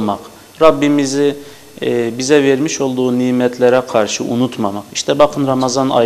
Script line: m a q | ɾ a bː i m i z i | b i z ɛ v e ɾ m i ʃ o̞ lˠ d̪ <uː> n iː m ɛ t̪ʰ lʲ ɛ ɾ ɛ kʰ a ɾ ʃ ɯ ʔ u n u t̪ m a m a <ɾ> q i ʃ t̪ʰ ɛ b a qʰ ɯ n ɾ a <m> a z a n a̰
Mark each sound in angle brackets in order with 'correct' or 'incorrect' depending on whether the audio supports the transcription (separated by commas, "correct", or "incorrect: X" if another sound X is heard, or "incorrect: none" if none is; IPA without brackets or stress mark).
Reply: correct, incorrect: none, correct